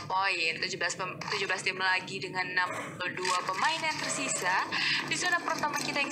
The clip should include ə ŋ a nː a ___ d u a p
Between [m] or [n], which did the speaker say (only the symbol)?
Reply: m